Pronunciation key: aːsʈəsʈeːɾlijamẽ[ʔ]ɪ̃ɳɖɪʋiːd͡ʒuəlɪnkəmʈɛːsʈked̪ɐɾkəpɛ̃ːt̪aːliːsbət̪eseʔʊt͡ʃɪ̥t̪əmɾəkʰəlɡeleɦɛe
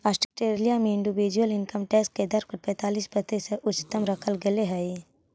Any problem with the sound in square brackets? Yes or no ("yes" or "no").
yes